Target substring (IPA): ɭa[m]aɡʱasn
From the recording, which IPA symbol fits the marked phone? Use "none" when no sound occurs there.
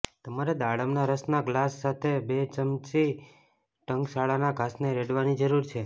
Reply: n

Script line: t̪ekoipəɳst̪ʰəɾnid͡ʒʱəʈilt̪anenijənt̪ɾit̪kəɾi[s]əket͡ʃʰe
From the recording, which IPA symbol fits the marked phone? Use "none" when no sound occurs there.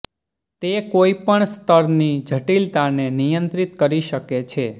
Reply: ʃ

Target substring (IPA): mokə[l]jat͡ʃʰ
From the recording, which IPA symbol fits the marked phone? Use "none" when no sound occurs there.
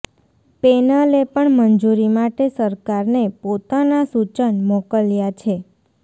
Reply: l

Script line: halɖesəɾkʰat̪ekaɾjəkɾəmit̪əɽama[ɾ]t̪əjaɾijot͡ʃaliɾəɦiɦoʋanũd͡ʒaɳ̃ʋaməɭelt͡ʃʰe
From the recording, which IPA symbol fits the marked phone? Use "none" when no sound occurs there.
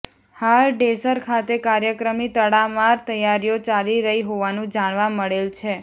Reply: ɾ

